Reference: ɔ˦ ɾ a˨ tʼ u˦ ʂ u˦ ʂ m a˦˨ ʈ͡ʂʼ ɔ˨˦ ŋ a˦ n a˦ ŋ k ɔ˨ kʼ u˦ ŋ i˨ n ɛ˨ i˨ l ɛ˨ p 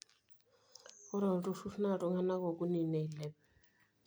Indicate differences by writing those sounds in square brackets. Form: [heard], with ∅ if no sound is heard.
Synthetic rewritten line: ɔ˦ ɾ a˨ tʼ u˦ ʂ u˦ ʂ [n] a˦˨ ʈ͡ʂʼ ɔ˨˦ ŋ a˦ n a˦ [∅] k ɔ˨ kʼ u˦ [n] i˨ n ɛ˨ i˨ l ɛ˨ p